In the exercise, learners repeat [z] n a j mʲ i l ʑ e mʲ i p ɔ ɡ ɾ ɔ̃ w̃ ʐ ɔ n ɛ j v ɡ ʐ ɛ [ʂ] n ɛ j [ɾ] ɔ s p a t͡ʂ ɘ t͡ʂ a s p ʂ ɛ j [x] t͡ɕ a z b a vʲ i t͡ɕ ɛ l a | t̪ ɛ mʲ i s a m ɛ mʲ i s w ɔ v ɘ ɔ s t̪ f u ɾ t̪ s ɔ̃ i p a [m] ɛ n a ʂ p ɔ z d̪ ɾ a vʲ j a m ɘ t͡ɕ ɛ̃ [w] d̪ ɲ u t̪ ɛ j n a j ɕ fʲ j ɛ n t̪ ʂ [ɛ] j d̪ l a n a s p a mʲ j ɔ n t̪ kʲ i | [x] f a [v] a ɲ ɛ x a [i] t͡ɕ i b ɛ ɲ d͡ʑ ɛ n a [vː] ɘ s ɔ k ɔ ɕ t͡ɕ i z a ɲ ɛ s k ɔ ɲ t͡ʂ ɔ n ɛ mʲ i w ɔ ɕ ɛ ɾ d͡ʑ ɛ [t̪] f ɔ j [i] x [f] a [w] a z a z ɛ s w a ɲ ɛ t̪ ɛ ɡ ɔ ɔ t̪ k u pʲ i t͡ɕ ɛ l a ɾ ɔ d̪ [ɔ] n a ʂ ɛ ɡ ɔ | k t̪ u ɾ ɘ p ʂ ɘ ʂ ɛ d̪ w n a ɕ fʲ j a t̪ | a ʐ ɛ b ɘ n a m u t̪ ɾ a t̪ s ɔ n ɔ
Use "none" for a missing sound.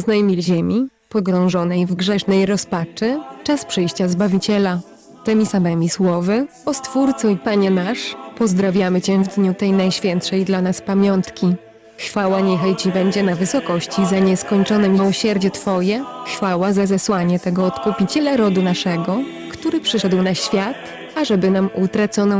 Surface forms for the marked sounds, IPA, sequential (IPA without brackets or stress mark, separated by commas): z, ʂ, ɾ, ɕ, ɲ, v, ɛ, x, w, j, v, t̪, ɛ, f, w, u